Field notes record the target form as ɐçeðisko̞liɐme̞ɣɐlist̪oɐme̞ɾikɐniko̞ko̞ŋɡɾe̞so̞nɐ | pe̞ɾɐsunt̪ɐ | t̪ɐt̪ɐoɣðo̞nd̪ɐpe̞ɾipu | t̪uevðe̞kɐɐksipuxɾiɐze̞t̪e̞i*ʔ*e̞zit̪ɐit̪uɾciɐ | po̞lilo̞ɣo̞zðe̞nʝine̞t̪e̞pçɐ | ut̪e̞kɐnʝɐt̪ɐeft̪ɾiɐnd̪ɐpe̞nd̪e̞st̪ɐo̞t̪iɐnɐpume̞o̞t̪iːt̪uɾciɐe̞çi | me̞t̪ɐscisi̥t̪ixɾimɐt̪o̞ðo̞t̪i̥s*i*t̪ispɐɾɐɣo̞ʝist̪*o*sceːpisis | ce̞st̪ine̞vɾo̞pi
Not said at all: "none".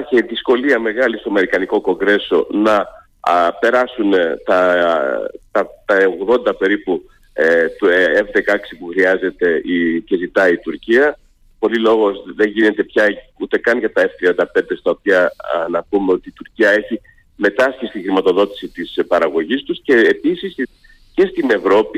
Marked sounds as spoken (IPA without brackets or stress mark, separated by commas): c, i, u